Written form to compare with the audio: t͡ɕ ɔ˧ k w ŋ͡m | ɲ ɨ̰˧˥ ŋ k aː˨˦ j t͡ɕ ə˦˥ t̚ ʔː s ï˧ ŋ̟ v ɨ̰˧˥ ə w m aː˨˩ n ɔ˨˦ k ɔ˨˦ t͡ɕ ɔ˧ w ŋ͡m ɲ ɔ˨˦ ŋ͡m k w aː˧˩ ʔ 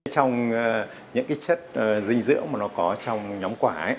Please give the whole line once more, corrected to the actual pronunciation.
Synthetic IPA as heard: t͡ɕ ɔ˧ w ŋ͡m | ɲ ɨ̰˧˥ ŋ k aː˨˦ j t͡ɕ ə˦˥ t̚ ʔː z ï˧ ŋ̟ z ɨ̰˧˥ ə w m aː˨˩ n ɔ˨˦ k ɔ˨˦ t͡ɕ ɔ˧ w ŋ͡m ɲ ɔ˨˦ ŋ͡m k w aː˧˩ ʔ